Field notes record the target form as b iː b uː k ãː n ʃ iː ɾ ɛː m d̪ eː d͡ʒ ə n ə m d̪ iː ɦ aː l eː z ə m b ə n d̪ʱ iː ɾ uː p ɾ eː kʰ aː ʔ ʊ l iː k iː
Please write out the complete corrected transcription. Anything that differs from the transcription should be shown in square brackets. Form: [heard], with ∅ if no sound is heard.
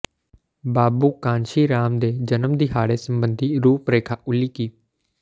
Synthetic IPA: b [aː] b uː k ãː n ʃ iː ɾ [aː] m d̪ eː d͡ʒ ə n ə m d̪ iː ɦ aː [ɽ] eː [s] ə m b ə n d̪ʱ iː ɾ uː p ɾ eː kʰ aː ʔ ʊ l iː k iː